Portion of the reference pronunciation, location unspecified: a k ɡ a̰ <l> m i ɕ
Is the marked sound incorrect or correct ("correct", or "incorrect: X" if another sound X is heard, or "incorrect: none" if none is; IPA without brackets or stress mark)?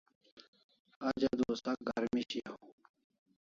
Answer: incorrect: ɾ